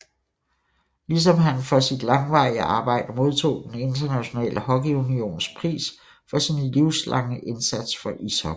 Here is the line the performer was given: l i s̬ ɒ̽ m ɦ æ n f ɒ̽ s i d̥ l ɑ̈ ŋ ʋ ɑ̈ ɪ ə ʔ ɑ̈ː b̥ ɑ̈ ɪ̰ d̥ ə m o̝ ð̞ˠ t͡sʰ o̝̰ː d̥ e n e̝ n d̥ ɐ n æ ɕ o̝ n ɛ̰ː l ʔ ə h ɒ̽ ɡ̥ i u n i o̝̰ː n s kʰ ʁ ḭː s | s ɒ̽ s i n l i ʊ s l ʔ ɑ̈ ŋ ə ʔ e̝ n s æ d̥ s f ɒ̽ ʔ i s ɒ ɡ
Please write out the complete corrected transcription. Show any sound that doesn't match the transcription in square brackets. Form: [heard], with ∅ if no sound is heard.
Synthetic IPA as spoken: l i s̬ ɒ̽ m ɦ æ n f ɒ̽ s i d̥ l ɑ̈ ŋ ʋ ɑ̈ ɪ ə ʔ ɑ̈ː b̥ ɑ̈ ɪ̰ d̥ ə m o̝ ð̞ˠ t͡sʰ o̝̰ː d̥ e n e̝ n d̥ ɐ n æ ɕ o̝ n ɛ̰ː l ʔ ə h ɒ̽ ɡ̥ i u n i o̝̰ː n s [pʰ] ʁ ḭː s | [f] ɒ̽ s i n l i ʊ s l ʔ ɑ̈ ŋ ə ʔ e̝ n s æ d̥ s f ɒ̽ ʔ i s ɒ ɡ